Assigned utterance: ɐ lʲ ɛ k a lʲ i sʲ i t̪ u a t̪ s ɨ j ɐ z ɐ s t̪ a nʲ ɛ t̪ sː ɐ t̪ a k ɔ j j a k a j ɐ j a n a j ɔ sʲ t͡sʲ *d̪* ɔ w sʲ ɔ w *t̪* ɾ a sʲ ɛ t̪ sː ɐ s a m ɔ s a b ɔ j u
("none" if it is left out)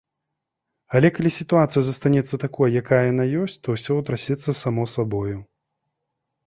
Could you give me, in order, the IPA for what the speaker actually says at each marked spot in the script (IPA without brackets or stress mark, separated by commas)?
t̪, t̪